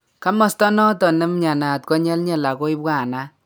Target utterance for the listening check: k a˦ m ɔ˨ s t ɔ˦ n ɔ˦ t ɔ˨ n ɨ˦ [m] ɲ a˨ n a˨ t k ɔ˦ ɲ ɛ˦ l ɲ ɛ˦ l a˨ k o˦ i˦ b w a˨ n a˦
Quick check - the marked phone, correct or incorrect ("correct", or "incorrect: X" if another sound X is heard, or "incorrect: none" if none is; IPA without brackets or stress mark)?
correct